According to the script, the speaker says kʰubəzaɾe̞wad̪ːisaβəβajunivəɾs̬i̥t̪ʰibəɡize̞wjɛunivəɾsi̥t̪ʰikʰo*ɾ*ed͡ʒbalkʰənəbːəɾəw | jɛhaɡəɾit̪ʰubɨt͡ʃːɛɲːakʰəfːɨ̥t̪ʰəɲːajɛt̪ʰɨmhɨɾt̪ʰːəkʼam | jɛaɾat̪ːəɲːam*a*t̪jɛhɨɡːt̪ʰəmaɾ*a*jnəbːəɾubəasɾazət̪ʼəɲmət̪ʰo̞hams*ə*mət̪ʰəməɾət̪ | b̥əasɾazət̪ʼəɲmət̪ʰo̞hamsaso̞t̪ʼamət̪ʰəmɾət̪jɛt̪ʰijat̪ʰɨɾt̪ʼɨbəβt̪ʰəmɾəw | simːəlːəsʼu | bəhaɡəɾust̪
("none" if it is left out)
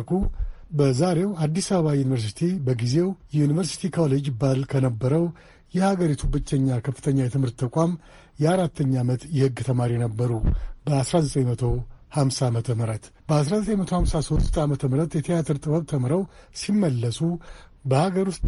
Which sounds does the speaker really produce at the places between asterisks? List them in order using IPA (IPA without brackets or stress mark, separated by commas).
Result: l, ə, i, a